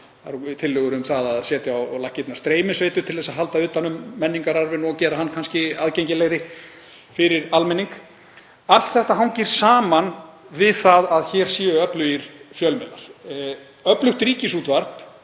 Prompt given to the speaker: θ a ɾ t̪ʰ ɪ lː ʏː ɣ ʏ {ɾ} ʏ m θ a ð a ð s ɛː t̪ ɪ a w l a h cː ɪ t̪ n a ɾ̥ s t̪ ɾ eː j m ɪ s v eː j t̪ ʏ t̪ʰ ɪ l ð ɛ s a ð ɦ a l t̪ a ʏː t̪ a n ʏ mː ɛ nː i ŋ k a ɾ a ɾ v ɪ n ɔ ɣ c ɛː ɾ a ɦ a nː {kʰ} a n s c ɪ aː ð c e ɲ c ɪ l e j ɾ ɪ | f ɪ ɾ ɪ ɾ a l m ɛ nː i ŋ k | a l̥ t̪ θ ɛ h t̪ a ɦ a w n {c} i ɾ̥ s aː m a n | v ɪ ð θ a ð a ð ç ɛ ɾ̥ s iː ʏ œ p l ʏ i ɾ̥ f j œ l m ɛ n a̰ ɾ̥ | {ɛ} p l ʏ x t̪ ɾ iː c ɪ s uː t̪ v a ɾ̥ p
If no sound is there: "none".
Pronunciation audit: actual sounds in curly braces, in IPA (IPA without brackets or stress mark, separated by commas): ɾ, kʰ, c, œ